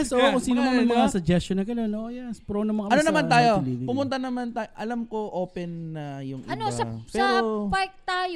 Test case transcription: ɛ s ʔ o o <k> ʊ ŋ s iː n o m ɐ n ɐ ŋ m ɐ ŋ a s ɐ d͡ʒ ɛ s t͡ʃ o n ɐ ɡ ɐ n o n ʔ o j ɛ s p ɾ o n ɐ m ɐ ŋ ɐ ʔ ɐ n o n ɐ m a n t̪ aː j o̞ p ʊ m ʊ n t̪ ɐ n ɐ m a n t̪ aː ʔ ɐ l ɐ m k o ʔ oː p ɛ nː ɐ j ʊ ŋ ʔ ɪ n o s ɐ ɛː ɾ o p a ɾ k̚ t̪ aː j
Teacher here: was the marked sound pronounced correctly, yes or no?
yes